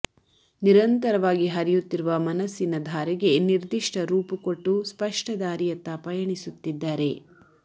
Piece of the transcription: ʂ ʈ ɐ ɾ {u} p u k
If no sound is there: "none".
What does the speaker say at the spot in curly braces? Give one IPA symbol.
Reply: uː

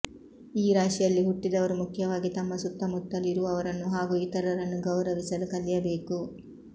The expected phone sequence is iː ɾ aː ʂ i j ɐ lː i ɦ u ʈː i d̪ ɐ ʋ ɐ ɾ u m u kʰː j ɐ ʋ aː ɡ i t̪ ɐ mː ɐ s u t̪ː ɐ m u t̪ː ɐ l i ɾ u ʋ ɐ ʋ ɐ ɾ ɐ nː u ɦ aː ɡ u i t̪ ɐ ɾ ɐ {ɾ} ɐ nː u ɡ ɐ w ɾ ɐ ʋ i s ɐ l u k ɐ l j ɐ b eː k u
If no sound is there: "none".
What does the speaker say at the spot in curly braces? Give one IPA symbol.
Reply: ɾ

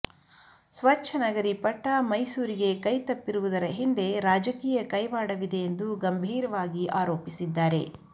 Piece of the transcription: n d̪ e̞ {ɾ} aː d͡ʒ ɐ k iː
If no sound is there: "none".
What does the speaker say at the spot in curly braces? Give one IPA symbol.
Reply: ɾ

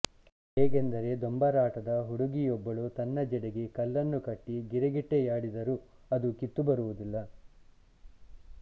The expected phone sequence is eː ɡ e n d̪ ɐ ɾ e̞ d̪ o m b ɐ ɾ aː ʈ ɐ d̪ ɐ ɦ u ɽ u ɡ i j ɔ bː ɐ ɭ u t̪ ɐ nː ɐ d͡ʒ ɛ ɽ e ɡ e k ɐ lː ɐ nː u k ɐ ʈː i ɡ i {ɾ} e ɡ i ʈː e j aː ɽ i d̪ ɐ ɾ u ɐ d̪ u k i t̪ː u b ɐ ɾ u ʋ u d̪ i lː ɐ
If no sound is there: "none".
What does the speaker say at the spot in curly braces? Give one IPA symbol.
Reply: ɾ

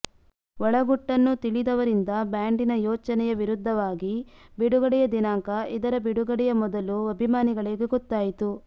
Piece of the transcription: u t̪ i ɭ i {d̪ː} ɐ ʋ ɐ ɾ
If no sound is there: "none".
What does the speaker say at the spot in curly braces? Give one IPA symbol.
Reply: d̪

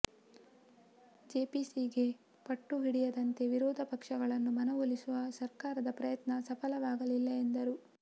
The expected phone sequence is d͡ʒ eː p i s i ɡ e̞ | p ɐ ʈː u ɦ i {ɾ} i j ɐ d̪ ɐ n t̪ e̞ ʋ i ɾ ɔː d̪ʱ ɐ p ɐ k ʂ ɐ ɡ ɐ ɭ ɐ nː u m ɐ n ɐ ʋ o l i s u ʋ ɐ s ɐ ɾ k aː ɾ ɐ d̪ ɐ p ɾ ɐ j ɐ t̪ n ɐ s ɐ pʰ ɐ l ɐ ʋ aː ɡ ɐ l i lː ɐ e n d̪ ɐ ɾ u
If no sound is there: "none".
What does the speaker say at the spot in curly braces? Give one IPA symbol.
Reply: ɽ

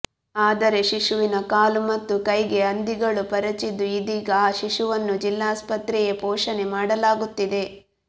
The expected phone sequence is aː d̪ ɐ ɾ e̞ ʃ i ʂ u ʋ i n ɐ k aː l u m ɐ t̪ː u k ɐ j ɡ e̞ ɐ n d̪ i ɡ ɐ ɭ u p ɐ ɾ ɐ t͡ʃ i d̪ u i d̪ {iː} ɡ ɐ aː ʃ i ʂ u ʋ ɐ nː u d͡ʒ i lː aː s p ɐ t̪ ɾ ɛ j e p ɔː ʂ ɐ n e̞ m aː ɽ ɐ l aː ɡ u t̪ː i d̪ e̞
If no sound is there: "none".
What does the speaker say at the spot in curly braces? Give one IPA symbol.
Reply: iː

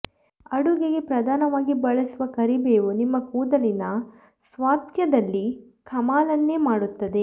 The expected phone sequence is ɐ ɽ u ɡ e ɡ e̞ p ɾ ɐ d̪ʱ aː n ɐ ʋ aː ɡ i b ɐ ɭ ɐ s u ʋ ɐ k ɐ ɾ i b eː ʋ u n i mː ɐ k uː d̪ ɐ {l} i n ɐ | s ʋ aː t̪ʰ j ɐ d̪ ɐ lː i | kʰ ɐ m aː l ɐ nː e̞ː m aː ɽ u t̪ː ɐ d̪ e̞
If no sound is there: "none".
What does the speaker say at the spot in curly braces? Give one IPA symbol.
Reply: l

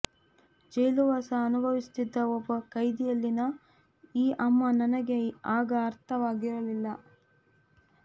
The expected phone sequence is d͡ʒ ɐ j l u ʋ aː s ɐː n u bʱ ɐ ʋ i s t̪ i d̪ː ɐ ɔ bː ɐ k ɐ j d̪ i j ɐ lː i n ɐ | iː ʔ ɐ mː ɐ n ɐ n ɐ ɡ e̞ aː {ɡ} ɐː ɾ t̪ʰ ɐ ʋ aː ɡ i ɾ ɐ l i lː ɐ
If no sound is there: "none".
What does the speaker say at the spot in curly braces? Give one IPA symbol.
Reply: ɡ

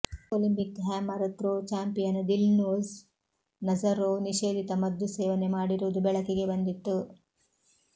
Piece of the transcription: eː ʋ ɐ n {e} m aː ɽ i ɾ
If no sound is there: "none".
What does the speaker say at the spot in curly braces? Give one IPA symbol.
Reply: e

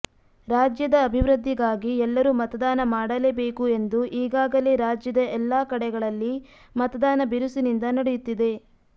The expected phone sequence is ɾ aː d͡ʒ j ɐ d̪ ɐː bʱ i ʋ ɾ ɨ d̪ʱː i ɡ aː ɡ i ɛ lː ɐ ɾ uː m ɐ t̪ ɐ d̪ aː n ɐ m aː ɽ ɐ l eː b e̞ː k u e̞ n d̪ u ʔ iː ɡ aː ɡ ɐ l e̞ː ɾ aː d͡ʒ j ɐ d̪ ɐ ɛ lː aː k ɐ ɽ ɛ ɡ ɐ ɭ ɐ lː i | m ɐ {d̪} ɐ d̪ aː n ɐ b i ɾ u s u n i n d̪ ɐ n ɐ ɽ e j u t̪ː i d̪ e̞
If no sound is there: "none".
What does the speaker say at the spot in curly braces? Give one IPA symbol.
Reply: t̪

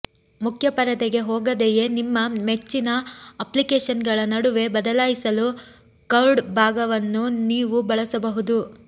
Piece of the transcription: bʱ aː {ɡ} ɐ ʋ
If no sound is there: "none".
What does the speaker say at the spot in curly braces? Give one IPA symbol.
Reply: ɡ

